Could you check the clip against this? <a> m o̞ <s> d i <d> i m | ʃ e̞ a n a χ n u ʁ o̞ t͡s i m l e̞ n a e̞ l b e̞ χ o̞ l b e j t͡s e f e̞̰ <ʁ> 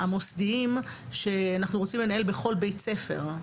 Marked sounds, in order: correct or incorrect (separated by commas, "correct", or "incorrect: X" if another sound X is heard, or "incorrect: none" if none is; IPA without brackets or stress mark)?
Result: correct, correct, incorrect: none, correct